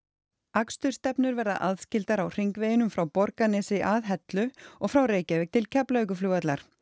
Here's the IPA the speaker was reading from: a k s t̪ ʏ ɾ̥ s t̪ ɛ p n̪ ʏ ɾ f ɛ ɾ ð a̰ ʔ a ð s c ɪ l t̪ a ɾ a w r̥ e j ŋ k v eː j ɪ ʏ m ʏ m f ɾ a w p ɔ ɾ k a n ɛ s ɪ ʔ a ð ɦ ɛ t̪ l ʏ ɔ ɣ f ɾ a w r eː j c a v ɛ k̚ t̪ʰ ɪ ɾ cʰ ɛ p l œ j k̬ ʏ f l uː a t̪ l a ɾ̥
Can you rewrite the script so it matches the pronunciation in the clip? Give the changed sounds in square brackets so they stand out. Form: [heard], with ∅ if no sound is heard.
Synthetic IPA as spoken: a k s t̪ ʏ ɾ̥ s t̪ ɛ p n̪ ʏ ɾ [v] ɛ ɾ ð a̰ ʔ a ð s c ɪ l t̪ a ɾ a w r̥ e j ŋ k v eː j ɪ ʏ [n] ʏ m f ɾ a w p ɔ ɾ k a n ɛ s ɪ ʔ a ð ɦ ɛ t̪ l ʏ ɔ ɣ f ɾ a w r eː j c a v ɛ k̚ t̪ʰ ɪ [l] cʰ ɛ p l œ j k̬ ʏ f l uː a t̪ l a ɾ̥

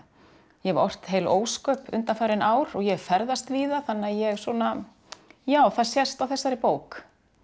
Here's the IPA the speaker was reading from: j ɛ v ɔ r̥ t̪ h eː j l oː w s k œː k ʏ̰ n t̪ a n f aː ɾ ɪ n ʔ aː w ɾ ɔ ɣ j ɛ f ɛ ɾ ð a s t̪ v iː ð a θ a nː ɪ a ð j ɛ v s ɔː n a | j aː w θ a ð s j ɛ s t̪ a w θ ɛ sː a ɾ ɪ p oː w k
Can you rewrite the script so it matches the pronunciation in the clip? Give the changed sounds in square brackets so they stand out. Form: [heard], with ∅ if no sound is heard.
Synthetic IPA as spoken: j ɛ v ɔ r̥ t̪ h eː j l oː w s k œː [p] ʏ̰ n t̪ a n f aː ɾ ɪ n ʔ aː w ɾ ɔ ɣ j ɛ f ɛ ɾ ð a s t̪ v iː ð a θ a nː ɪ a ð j ɛ [ɣ] s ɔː n a | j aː w θ a ð s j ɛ s t̪ a w θ ɛ sː a ɾ ɪ p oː w k

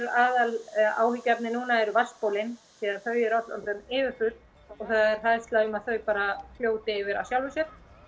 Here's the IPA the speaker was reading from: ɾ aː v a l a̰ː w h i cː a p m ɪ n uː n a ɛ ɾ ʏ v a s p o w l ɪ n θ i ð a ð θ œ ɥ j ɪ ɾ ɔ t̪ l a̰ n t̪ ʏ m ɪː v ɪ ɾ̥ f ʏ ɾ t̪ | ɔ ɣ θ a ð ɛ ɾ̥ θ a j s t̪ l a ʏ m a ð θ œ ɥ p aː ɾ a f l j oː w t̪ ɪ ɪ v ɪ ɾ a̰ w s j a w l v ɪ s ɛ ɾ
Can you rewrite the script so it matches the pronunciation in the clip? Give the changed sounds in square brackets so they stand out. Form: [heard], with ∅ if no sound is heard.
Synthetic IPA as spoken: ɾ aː [ð] a l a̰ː w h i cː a p [n] ɪ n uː n a ɛ ɾ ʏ v a s p o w l ɪ n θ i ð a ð θ œ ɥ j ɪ ɾ ɔ t̪ l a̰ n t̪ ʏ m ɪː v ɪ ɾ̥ f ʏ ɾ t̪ | ɔ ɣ θ a ð ɛ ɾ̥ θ a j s t̪ l a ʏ m a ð θ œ ɥ p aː ɾ a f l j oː w t̪ ɪ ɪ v ɪ ɾ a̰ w s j a w l v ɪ s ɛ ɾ

